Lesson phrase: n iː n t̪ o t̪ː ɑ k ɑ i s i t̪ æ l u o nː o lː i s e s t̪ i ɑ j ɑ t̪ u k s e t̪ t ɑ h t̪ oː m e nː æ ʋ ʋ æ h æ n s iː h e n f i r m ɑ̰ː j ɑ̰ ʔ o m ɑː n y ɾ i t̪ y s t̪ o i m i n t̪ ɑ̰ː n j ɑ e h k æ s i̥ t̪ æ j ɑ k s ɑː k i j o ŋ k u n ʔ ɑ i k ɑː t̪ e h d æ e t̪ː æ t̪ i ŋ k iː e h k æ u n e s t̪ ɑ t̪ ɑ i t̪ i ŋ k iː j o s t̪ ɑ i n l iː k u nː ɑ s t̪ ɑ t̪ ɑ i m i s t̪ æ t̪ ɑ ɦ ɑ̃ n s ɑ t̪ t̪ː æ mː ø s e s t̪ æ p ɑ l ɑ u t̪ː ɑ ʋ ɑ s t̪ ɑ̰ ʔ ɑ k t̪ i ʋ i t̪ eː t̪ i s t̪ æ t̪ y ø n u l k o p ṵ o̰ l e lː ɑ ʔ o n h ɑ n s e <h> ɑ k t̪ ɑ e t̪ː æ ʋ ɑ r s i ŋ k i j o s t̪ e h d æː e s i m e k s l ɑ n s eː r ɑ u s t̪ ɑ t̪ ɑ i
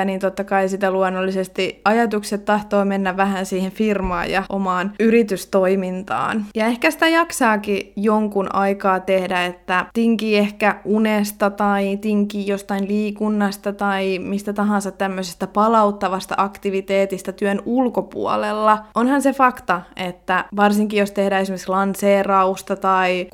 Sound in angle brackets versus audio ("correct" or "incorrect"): incorrect